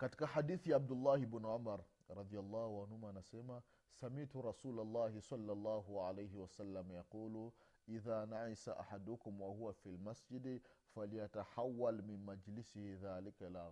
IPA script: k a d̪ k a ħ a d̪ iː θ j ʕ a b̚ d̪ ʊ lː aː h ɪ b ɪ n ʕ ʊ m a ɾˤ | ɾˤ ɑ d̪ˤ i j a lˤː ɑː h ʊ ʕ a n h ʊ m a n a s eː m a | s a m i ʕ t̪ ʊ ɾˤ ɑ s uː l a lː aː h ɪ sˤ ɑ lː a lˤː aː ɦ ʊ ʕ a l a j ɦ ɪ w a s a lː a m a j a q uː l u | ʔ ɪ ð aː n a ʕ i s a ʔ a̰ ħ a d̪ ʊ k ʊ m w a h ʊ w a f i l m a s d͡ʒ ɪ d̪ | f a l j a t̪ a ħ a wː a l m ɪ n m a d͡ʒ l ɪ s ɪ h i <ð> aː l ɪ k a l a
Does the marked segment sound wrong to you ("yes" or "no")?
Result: no